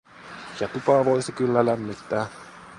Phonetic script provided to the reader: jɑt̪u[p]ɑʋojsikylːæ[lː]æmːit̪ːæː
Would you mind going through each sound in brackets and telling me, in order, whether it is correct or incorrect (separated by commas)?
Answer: correct, incorrect